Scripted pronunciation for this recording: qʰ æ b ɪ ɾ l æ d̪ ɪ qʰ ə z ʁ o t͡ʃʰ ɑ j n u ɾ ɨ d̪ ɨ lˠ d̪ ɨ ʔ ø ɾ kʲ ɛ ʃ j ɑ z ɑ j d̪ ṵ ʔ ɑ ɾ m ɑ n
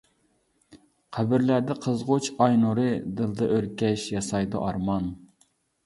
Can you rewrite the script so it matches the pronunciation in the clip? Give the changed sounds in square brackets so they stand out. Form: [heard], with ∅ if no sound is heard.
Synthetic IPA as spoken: qʰ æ b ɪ ɾ l æ d̪ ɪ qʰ ə z ʁ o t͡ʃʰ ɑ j n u ɾ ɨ d̪ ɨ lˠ d̪ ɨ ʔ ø ɾ kʲ ɛ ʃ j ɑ [s] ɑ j d̪ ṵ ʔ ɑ ɾ m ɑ n